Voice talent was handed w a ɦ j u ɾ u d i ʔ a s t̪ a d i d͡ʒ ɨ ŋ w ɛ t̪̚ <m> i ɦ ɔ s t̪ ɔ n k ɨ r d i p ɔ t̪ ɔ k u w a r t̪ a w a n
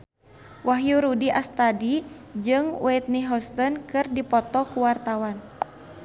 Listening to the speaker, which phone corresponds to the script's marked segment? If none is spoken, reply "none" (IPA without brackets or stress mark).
n